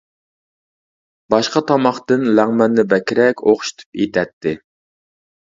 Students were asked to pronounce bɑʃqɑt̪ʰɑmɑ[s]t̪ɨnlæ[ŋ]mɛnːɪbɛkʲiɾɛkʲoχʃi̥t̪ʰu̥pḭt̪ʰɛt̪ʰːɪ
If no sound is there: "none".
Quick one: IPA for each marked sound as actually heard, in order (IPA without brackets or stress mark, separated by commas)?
χ, ŋ